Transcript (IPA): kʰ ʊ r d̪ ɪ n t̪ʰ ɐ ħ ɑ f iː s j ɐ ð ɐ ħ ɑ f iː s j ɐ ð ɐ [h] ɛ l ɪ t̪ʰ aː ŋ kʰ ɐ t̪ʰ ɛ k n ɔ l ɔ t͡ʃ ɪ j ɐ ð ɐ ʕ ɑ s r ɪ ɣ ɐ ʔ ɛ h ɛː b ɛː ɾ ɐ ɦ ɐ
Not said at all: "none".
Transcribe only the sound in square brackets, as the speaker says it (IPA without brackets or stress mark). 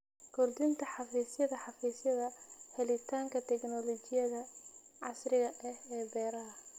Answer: h